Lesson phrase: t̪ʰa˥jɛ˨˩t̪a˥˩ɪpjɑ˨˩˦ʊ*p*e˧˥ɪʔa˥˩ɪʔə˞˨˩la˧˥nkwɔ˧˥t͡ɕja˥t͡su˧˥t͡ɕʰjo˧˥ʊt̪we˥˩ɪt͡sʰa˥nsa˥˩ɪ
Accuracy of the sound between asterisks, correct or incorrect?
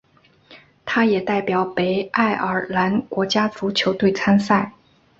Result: correct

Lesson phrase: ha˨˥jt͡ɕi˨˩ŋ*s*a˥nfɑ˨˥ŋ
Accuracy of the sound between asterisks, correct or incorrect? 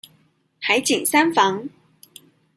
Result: correct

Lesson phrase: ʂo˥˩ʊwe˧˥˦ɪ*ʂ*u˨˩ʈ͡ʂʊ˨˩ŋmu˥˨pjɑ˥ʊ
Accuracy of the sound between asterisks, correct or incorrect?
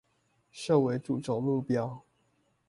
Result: incorrect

